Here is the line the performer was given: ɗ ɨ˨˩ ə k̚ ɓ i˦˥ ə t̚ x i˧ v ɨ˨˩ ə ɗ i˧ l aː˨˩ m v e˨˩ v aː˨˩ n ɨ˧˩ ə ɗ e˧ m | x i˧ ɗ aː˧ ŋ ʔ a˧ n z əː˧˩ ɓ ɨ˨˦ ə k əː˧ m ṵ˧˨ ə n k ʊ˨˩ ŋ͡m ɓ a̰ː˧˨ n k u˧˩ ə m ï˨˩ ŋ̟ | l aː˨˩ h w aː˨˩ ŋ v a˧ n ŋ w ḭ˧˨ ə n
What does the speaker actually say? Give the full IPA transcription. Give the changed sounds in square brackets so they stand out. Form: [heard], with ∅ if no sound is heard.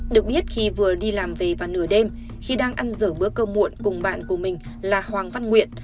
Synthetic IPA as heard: ɗ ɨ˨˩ ə k̚ ɓ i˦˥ ə t̚ x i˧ v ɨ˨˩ ə ɗ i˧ l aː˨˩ m v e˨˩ v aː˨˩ n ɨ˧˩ ə ɗ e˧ m | x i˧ ɗ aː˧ ŋ ʔ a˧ n z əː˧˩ ɓ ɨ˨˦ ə k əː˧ m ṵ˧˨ ə n k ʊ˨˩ ŋ͡m ɓ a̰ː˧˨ n k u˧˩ ə m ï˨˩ ŋ̟ | l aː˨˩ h w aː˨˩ ŋ v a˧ n ŋ w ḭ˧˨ ə n